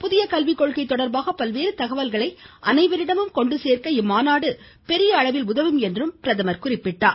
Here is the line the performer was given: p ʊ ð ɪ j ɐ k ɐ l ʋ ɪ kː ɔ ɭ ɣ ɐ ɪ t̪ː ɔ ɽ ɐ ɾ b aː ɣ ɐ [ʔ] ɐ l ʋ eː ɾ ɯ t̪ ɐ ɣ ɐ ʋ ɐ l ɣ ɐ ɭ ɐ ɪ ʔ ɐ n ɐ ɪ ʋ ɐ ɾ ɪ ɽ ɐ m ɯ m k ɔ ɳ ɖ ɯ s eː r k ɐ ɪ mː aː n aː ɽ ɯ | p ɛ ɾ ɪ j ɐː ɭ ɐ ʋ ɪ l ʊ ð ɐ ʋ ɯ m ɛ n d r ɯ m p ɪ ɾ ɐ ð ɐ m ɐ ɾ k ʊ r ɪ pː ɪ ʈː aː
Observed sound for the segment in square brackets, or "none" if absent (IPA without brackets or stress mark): p